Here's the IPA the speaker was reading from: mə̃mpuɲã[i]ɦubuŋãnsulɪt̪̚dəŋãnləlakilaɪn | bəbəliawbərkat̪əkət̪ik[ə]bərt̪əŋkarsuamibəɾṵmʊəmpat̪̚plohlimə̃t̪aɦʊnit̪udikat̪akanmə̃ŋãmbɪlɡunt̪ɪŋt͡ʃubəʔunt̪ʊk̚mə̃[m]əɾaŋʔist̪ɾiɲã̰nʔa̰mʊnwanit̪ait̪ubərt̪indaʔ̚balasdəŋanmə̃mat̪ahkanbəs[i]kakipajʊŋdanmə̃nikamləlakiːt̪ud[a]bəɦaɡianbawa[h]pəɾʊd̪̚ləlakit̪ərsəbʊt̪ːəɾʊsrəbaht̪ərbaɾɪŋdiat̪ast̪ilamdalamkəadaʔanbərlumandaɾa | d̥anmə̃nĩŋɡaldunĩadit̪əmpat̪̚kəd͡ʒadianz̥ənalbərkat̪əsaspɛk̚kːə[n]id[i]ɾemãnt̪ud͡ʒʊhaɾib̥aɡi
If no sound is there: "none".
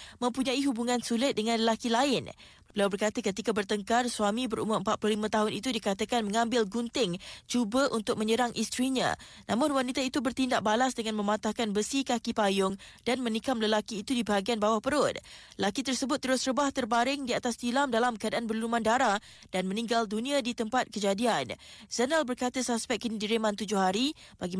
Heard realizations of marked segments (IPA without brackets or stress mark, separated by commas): i, a, ɲ, i, i, h, n, i